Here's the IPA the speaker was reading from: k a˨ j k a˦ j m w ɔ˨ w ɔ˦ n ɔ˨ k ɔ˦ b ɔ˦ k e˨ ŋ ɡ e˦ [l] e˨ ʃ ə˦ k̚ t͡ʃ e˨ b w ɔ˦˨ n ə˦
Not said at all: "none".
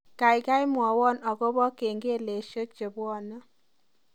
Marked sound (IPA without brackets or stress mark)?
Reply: l